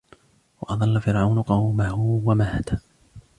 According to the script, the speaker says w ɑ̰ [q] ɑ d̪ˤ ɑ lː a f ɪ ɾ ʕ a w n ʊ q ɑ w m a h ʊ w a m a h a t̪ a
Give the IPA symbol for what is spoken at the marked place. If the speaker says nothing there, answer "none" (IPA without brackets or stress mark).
ʔ